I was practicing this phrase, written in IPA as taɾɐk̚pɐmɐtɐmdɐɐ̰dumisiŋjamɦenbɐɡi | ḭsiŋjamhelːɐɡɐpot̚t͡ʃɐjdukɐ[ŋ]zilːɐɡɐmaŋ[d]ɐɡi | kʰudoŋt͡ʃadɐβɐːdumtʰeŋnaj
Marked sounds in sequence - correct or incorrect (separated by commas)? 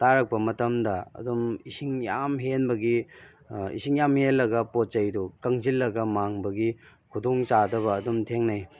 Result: correct, incorrect